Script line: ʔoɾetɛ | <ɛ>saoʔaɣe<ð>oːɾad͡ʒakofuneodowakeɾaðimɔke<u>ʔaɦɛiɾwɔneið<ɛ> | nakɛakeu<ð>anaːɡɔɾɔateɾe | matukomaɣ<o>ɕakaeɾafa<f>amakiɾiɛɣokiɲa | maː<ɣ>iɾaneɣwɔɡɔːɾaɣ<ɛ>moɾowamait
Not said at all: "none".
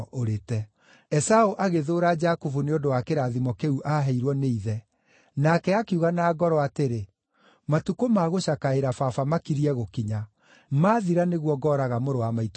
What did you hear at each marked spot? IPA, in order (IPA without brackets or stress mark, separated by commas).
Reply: ɛ, ð, u, ɛ, ɣ, o, f, ð, a